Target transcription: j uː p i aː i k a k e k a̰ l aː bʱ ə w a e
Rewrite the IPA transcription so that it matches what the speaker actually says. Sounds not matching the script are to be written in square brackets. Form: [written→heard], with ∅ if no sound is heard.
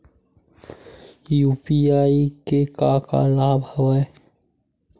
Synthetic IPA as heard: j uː p i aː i k [a→e] k [e→a] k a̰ l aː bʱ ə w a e